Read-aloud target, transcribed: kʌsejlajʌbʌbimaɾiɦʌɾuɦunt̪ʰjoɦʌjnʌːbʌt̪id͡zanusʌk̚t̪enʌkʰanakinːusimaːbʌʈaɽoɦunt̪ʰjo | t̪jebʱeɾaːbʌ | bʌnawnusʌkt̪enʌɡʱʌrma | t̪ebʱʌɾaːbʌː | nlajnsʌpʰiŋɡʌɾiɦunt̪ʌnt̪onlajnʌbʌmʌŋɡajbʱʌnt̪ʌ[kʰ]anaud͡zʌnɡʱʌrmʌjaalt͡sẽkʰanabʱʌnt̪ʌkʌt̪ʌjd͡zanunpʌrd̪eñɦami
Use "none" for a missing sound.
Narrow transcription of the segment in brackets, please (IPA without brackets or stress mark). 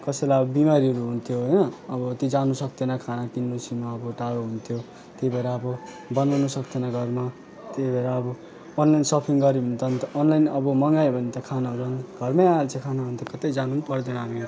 kʰ